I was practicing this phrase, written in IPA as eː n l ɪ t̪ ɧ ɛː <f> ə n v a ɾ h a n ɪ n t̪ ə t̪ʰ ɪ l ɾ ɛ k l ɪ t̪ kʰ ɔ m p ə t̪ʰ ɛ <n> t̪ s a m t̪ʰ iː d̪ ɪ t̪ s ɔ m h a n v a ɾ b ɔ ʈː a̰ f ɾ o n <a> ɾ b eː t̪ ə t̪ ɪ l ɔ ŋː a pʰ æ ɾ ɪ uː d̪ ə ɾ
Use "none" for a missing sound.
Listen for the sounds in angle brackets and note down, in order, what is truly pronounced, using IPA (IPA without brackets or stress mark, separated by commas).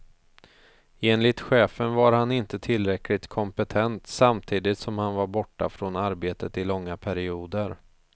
f, n, a